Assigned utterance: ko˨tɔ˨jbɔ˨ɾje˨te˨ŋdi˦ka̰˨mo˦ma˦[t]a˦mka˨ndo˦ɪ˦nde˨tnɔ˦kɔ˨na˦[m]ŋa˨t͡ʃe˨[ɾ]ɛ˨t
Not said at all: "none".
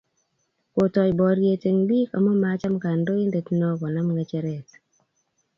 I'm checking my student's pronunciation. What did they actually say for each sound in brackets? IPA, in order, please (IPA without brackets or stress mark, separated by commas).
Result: t͡ʃ, m, ɾ